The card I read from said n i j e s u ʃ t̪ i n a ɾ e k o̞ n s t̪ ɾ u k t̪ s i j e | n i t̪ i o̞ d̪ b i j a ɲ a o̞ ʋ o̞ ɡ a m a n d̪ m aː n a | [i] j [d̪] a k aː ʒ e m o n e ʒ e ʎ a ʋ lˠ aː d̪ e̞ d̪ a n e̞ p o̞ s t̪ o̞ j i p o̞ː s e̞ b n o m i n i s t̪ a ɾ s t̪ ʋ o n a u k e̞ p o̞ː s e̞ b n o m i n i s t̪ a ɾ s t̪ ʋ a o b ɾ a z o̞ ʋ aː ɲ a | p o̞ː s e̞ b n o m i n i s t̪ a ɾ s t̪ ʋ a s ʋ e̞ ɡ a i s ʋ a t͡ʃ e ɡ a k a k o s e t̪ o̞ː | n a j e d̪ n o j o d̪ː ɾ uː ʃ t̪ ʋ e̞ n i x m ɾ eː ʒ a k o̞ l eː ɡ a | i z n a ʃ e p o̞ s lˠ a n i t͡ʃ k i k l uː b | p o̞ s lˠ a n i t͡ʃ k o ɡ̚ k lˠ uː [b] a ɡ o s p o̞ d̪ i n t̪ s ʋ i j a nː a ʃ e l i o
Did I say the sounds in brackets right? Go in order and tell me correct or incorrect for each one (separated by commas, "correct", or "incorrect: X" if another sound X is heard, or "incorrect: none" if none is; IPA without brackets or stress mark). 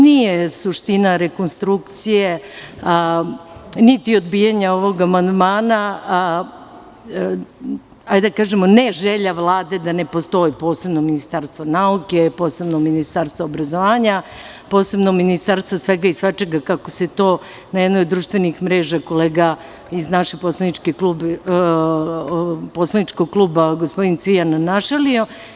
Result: incorrect: a, correct, correct